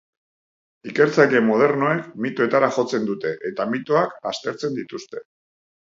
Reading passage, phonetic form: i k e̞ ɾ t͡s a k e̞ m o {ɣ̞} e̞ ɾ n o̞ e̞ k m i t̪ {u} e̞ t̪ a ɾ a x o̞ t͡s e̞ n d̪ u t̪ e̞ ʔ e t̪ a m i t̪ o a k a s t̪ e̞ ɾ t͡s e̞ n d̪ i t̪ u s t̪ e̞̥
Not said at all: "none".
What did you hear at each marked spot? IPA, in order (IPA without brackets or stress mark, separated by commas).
ð̞, o